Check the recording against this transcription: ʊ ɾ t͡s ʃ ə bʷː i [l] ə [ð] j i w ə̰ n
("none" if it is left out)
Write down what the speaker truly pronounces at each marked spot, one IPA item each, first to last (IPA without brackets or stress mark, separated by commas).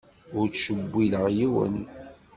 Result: l, ʁ